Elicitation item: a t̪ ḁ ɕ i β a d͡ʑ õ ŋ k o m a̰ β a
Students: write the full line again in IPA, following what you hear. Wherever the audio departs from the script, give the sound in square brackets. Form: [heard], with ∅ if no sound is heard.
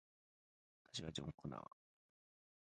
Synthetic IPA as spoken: a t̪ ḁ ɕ i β a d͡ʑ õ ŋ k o [n] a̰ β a

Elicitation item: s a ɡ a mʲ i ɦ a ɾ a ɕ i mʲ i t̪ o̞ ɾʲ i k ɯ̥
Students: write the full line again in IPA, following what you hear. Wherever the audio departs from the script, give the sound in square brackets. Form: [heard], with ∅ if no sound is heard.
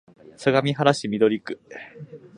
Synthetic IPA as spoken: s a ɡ a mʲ i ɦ a ɾ a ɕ i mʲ i [d̪] o̞ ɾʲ i k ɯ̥

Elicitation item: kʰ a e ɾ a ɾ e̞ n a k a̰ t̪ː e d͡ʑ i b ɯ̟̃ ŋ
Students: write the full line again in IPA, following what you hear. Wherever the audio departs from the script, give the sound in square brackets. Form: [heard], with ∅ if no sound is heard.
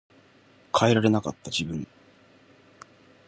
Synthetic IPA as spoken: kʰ a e ɾ a ɾ e̞ n a k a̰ t̪ː [a] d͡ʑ i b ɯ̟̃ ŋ

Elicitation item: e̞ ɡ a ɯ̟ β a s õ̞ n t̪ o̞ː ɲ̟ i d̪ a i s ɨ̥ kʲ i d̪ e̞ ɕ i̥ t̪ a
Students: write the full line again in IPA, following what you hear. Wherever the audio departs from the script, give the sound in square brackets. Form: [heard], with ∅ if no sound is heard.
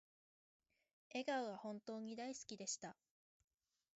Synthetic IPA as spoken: e̞ ɡ a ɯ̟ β a [h] õ̞ n t̪ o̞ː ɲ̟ i d̪ a i s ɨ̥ kʲ i d̪ e̞ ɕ i̥ t̪ a

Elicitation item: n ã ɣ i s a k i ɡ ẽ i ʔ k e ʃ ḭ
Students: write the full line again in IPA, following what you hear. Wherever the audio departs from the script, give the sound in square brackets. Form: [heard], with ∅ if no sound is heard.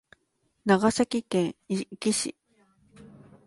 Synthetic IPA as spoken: n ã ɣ [a] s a k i [k] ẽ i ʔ k [i] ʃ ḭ

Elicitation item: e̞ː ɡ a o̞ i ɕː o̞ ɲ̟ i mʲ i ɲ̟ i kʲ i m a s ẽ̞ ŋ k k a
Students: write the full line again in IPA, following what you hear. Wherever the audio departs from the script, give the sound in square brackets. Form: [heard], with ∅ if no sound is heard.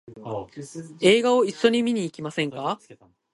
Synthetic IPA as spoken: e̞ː ɡ a o̞ i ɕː o̞ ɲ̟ i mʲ i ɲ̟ [iː] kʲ i m a s ẽ̞ ŋ k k a

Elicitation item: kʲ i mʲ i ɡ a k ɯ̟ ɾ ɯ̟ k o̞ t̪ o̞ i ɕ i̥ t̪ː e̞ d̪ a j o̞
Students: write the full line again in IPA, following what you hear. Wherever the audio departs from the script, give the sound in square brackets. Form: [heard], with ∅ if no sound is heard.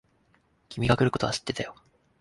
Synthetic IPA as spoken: kʲ i mʲ i ɡ a k ɯ̟ ɾ ɯ̟ k o̞ t̪ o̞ [a] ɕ i̥ t̪ː e̞ [t̪] a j o̞

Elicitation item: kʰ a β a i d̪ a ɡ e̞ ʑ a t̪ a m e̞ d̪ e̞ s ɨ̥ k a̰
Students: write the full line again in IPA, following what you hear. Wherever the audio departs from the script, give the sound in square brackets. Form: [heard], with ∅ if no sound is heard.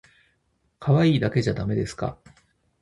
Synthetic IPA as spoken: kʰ a β a [iː] d̪ a [k] e̞ ʑ a [d̪] a m e̞ d̪ e̞ s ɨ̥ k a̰

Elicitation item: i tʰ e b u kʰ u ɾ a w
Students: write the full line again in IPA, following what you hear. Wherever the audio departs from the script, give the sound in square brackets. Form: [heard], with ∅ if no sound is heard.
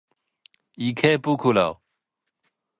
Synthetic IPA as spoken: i [kʰ] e [p] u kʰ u [l] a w

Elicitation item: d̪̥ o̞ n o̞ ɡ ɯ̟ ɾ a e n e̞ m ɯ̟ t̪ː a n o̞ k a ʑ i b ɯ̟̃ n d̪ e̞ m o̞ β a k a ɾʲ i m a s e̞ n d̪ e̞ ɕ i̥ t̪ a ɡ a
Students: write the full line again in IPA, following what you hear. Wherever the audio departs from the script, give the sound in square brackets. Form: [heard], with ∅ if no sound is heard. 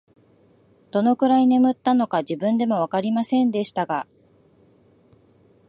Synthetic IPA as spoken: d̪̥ o̞ n o̞ [k] ɯ̟ ɾ a [i] n e̞ m ɯ̟ t̪ː a n o̞ k a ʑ i b ɯ̟̃ n d̪ e̞ m o̞ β a k a ɾʲ i m a s [ẽ̞] n d̪ e̞ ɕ i̥ t̪ a ɡ a

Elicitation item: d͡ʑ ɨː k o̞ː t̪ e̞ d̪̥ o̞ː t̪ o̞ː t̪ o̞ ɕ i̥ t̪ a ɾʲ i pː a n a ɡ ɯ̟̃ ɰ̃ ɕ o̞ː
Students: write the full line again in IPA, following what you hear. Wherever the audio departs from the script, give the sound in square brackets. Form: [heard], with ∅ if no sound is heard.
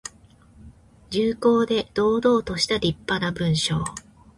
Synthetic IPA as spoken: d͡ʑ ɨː k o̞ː [d̪] e̞ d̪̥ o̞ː [d̪] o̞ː t̪ o̞ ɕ i̥ t̪ a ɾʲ i pː a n a [b] ɯ̟̃ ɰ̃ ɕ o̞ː

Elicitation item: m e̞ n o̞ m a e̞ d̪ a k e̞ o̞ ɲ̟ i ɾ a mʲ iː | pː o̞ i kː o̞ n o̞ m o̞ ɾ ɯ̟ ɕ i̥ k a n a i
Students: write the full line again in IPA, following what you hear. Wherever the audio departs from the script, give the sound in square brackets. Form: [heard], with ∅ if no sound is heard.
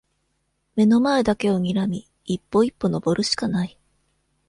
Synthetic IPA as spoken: m e̞ n o̞ m a e̞ d̪ a k e̞ o̞ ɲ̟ i ɾ a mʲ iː | pː o̞ i [pː] o̞ n o̞ [b] o̞ ɾ ɯ̟ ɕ i̥ k a n a i

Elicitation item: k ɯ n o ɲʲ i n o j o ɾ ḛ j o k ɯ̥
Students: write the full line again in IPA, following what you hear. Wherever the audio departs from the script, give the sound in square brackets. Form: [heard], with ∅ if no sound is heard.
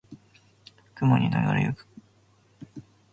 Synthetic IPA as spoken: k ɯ [m] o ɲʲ i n o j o ɾ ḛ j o k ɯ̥

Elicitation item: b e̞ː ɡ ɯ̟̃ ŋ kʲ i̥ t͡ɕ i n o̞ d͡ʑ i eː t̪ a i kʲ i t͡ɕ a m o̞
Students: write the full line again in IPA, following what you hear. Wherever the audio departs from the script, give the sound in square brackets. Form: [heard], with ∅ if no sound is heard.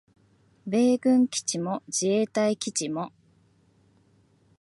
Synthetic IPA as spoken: b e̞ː ɡ ɯ̟̃ ŋ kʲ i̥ t͡ɕ i [m] o̞ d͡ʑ i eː t̪ a i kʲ i t͡ɕ [i] m o̞

